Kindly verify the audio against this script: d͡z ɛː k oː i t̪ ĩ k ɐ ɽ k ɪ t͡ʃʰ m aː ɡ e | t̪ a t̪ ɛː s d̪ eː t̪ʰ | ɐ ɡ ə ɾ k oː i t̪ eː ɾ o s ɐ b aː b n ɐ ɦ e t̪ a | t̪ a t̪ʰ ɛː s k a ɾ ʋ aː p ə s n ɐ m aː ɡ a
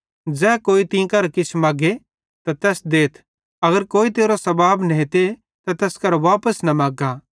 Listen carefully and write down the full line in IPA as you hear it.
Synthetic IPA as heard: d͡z ɛː k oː i t̪ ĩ k ɐ ɾ k ɪ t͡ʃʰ m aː ɡ e | t̪ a t̪ ɛː s d̪ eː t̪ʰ | ɐ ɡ ə ɾ k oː i t̪ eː ɾ o s ɐ b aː b n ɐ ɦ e t̪ e | t̪ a t̪ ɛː s k ɐ ɾ ʋ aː p ə s n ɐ m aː ɡ a